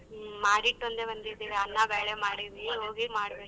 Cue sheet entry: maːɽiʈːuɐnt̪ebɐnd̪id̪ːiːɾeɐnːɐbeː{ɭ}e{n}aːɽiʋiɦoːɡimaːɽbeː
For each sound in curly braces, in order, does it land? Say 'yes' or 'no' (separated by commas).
yes, no